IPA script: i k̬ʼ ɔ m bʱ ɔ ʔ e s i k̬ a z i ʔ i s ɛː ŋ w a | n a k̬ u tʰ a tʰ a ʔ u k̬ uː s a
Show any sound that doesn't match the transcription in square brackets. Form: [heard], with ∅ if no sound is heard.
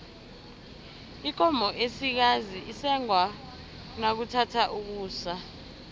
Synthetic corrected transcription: i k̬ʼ ɔ m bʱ ɔ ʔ e s i k̬ a z i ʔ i s [ɛ] ŋ w a | n a k̬ u tʰ a tʰ a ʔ u k̬ uː s a